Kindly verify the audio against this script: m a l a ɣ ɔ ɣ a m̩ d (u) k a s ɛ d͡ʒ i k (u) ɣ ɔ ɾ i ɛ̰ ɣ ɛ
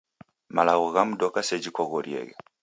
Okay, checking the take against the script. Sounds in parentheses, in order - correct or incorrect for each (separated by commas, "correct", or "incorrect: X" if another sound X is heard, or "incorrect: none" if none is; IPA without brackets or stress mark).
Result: incorrect: ɔ, incorrect: ɔ